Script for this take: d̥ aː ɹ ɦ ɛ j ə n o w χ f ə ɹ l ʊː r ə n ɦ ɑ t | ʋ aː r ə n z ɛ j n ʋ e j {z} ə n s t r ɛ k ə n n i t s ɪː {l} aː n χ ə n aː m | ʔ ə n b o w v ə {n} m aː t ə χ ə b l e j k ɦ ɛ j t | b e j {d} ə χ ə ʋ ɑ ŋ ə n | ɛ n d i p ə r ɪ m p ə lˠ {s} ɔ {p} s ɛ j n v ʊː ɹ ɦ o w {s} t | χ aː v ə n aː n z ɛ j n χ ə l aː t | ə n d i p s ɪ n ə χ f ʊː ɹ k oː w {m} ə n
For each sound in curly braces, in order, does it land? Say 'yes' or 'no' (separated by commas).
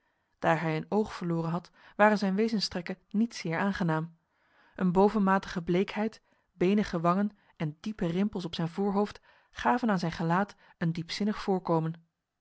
yes, no, yes, no, yes, yes, no, yes